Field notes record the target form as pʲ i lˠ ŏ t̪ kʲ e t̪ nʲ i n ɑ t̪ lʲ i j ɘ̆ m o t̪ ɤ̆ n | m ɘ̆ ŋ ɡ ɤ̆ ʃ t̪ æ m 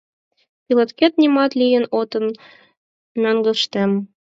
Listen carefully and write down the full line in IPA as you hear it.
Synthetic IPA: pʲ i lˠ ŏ t̪ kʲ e t̪ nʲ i m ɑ t̪ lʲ i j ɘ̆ n o t̪ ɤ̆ n | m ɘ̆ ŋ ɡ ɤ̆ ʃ t̪ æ m